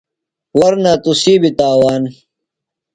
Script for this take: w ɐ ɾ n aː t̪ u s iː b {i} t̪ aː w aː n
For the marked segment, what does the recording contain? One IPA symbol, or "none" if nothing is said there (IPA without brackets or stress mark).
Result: i